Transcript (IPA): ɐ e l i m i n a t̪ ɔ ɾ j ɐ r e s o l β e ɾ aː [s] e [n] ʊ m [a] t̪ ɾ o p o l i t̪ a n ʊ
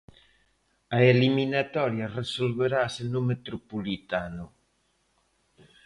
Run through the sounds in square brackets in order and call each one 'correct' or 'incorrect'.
correct, correct, incorrect: e

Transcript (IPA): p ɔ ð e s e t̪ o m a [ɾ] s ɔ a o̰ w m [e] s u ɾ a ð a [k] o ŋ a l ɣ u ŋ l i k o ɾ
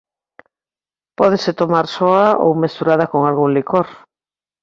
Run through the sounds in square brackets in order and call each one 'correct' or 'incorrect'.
correct, correct, correct

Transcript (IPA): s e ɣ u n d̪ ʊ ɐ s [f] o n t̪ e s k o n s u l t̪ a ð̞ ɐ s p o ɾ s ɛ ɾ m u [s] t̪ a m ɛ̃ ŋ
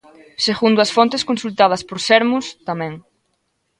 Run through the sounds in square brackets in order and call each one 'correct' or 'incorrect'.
correct, correct

